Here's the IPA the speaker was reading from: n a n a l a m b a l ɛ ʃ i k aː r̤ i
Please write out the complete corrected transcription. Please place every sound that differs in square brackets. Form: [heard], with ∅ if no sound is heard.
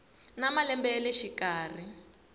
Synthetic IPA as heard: n a [m] a l [ɛ] m b [ɛ] l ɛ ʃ i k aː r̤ i